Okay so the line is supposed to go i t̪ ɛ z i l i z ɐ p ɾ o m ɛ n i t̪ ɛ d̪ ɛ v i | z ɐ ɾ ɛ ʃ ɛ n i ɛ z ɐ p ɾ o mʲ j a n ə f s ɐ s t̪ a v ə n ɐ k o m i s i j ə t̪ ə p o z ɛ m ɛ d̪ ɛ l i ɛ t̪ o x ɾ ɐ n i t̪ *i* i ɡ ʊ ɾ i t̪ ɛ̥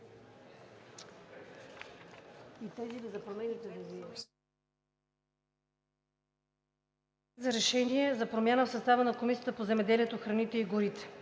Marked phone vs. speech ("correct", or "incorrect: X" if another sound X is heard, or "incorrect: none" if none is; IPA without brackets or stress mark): incorrect: ɛ